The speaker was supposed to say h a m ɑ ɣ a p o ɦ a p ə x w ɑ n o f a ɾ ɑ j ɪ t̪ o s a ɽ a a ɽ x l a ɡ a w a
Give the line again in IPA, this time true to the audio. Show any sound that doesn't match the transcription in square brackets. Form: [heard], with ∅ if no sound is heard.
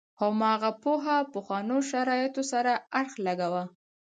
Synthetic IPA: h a m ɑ ɣ a p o ɦ a p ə x w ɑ n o [ʃ] a ɾ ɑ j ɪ t̪ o s a [ɾ] a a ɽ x l a ɡ a w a